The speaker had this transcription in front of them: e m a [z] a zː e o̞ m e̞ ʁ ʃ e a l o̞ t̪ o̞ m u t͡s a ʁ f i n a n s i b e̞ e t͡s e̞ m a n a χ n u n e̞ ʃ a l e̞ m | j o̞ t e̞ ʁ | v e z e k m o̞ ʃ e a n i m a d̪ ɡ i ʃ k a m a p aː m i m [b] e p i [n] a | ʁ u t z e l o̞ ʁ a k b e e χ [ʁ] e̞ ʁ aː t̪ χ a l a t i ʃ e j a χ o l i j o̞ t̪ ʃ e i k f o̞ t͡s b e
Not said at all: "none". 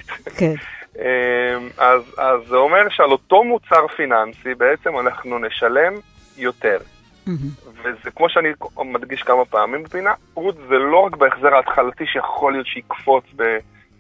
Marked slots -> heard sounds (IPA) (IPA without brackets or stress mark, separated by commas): z, b, n, z